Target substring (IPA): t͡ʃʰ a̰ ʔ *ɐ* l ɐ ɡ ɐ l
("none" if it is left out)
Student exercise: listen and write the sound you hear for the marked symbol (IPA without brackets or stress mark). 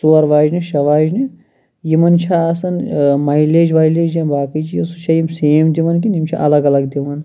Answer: ɐ